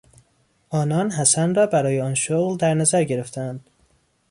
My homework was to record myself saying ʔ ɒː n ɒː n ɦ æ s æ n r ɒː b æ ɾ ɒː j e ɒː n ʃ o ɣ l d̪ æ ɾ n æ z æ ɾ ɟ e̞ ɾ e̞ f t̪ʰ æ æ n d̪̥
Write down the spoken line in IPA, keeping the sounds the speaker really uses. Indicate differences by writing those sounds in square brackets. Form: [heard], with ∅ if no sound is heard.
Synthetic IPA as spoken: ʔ ɒː n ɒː n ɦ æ s æ n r ɒː b æ ɾ ɒː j e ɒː n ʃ o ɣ l d̪ æ ɾ n æ z æ ɾ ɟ e̞ ɾ e̞ f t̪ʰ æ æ n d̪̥